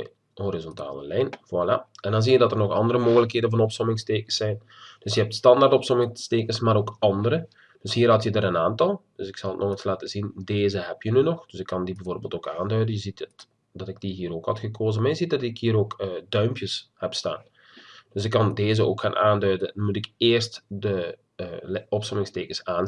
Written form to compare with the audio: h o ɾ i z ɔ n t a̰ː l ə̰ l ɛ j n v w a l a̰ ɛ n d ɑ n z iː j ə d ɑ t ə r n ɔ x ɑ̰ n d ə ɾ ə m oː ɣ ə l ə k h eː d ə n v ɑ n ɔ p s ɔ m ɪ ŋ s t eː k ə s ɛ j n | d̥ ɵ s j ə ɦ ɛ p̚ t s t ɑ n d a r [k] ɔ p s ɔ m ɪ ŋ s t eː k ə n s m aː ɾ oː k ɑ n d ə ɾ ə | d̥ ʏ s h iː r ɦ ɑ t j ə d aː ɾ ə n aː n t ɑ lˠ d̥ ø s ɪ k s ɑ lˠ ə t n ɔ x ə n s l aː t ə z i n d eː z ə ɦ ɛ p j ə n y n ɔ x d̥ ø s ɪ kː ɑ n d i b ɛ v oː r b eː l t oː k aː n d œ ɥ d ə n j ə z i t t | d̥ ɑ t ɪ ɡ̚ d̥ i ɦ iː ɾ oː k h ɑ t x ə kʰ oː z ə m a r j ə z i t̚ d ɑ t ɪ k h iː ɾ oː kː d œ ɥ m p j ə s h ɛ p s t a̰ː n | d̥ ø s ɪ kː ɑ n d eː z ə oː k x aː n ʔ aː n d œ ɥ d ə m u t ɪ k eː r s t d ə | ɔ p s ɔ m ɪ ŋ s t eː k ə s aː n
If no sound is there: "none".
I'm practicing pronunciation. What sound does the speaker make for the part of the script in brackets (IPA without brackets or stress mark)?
t